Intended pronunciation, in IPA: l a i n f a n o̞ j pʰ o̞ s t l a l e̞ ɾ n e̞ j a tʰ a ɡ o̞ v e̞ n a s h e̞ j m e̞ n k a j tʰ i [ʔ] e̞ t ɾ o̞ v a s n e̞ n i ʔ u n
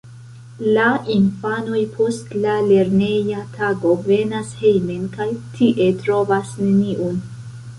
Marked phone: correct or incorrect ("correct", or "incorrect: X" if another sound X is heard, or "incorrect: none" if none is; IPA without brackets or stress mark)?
correct